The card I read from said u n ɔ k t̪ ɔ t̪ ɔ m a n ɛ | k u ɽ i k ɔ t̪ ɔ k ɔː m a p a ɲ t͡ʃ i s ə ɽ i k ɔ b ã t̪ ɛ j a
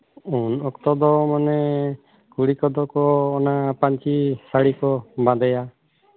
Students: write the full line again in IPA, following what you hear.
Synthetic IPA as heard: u n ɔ k t̪ ɔ d̪ ɔ m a n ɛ | k u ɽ i k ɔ d̪ ɔ k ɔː n a p a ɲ t͡ʃ i s a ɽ i k ɔ b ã d̪ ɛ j a